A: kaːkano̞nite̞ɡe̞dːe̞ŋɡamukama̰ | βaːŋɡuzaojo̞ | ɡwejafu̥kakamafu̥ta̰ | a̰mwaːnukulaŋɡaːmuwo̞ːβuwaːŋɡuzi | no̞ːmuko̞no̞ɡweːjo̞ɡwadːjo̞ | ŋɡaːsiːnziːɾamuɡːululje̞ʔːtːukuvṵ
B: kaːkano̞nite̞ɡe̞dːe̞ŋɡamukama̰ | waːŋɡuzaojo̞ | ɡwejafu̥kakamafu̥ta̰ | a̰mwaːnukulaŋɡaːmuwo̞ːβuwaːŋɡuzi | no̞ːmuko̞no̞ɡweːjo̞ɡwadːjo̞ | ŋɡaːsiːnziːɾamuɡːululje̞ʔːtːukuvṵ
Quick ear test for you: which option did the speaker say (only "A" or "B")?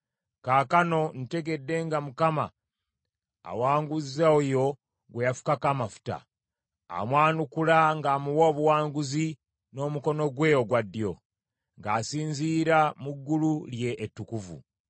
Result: B